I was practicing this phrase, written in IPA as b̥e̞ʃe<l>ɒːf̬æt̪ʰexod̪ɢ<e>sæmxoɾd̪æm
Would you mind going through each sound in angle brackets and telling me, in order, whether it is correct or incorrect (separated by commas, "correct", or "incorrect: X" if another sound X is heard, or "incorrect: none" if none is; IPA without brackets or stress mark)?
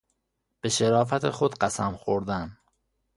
incorrect: ɾ, incorrect: æ